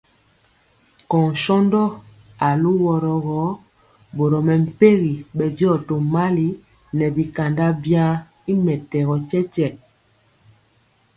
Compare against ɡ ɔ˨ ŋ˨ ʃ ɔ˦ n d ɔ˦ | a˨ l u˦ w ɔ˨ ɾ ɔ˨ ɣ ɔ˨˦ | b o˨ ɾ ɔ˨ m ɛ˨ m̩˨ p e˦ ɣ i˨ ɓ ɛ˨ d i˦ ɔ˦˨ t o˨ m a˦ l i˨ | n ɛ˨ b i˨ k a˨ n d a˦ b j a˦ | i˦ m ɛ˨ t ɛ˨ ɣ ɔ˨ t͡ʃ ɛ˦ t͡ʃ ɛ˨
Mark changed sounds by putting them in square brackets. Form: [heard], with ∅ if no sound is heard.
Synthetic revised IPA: [k] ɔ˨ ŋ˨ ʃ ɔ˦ n d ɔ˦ | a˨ l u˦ w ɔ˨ ɾ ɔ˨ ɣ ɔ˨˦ | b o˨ ɾ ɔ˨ m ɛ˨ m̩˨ p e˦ ɣ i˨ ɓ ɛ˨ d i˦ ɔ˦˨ t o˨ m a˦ l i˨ | n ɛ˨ b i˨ k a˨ n d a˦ b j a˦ | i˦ m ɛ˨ t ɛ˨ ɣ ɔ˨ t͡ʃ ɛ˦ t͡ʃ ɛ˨